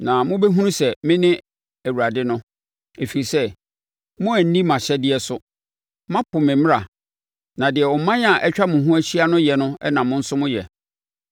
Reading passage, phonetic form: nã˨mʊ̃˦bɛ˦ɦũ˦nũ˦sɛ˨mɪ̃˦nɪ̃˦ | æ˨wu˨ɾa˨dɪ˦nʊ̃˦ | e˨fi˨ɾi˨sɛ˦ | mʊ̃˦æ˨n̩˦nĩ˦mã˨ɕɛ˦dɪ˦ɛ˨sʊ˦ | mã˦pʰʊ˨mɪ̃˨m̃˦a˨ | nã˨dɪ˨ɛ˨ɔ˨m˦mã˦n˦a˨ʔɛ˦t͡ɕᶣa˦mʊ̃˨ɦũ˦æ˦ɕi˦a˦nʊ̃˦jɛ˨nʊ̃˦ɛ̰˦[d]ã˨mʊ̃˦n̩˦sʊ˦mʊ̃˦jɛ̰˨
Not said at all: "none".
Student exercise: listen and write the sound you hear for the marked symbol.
n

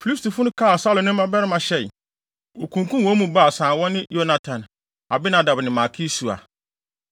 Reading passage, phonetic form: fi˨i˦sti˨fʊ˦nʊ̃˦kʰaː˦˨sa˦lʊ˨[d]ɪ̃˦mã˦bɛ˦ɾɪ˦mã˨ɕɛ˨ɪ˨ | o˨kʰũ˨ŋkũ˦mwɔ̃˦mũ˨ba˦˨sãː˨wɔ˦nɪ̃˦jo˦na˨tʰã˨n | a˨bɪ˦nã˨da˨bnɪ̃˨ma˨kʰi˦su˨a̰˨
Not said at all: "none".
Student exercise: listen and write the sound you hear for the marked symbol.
n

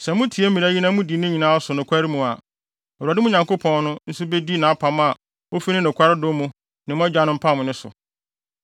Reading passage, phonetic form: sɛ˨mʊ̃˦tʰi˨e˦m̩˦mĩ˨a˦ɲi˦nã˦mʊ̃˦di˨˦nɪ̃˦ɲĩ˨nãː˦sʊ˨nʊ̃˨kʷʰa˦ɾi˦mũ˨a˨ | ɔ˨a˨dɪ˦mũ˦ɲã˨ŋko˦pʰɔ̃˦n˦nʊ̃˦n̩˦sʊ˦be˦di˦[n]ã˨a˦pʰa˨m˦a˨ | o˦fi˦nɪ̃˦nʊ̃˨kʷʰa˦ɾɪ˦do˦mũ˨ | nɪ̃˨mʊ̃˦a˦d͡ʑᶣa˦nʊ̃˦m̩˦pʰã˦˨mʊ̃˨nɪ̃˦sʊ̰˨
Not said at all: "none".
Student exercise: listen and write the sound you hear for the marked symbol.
n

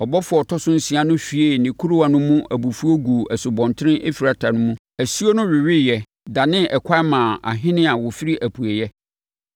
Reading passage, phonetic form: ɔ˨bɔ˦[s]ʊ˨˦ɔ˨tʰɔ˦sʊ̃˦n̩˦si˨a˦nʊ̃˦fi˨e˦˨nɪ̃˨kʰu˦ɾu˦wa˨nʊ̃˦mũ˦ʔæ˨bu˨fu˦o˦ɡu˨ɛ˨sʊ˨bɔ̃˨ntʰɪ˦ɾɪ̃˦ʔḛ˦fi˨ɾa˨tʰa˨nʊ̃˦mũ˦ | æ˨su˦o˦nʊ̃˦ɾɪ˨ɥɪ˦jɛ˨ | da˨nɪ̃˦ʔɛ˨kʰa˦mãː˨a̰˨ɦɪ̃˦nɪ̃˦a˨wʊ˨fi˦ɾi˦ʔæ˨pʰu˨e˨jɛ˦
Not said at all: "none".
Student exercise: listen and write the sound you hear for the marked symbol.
f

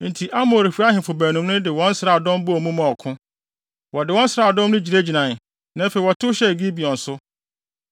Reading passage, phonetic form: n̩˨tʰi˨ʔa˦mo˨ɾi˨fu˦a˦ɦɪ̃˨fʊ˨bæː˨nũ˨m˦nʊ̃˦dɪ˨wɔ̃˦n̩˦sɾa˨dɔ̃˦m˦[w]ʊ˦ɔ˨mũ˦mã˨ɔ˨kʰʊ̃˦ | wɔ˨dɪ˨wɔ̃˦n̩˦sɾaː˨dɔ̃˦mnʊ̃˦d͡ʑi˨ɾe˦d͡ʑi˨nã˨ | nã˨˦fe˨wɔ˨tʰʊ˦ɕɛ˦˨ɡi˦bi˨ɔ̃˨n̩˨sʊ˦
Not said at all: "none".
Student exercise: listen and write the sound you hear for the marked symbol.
b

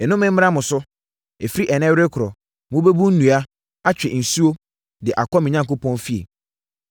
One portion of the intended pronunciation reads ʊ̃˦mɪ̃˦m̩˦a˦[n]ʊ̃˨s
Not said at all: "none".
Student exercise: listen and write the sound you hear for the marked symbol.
m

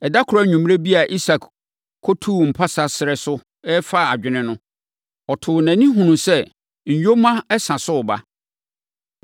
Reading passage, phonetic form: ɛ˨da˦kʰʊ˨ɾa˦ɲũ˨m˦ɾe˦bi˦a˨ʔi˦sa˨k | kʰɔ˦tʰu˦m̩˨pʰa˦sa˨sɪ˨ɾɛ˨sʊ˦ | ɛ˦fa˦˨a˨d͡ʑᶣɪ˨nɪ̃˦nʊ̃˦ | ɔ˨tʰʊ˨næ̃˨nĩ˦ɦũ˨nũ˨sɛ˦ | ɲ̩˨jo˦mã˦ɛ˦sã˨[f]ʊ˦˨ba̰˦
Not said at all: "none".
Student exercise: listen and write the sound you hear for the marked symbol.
s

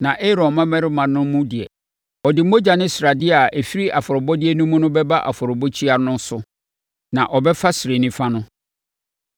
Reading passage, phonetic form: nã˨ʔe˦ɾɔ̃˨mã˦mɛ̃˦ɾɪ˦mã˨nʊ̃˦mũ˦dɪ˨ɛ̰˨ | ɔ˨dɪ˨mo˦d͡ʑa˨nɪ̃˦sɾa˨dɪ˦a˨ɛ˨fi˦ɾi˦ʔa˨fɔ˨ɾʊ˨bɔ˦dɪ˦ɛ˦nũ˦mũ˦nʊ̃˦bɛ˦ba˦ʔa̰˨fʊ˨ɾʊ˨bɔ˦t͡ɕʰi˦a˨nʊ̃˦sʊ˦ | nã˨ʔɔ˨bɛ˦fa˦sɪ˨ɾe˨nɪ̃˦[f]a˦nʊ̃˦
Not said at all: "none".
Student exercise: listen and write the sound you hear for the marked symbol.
f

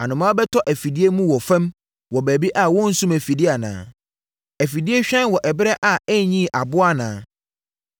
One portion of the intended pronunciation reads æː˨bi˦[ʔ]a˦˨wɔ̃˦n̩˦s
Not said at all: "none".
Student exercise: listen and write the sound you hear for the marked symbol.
ʔ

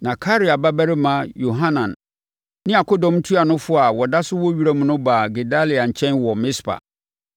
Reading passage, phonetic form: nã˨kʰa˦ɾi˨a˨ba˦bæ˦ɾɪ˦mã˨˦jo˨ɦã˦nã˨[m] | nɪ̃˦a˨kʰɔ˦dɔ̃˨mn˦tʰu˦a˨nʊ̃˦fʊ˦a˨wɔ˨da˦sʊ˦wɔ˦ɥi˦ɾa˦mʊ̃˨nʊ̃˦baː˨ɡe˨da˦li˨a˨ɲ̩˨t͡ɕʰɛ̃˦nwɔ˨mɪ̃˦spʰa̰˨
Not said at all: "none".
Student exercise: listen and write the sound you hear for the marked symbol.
n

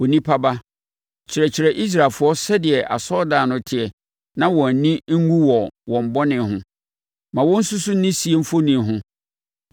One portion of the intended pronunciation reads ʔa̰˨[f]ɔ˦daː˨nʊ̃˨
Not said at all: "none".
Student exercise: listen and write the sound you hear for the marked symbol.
s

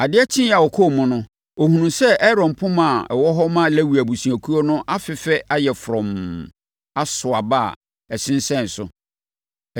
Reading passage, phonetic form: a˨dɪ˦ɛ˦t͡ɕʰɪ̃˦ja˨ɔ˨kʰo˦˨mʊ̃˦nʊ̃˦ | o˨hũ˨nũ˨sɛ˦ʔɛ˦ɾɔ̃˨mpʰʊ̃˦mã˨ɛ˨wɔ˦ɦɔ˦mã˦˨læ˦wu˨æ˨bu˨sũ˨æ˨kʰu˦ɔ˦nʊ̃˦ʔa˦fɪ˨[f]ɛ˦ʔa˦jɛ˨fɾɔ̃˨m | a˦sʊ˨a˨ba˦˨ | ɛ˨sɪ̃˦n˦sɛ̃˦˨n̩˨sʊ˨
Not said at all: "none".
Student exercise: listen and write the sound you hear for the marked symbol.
f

